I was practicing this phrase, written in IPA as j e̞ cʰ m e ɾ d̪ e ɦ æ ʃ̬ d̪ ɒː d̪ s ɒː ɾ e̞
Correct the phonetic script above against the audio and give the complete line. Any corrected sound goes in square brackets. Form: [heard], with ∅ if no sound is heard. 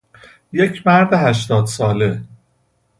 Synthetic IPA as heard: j e̞ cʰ m [æ] ɾ d̪ e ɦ æ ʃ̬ [t̪] ɒː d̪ s ɒː [l] e̞